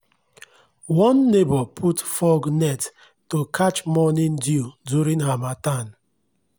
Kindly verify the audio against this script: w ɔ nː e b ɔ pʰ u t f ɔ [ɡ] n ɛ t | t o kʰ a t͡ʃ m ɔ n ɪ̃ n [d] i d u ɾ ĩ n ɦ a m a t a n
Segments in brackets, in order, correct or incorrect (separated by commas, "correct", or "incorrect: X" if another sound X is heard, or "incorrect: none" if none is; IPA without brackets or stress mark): correct, correct